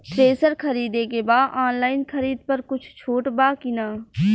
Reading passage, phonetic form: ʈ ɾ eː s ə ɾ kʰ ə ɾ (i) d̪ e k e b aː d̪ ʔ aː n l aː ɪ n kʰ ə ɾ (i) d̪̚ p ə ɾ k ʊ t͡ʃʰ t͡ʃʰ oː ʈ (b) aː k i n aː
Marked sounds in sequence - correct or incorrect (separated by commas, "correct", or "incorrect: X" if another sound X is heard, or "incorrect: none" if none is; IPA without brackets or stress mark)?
incorrect: iː, incorrect: iː, correct